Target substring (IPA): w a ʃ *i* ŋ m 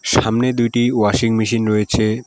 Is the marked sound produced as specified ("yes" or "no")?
yes